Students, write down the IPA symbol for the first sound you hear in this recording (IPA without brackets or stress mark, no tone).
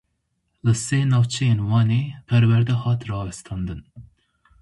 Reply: l